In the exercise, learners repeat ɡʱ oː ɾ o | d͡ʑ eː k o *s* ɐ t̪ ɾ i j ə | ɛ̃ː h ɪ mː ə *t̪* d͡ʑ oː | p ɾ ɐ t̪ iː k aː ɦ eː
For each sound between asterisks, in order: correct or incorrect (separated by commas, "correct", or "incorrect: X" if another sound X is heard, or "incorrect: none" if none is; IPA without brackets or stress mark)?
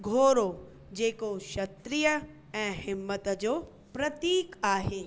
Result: incorrect: ʃ, correct